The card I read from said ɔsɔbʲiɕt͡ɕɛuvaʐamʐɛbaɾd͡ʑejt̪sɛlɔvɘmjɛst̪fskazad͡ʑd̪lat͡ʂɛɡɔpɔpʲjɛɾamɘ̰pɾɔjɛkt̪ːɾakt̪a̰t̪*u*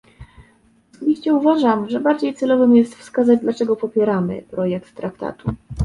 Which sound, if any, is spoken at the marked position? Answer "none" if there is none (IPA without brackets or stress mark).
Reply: u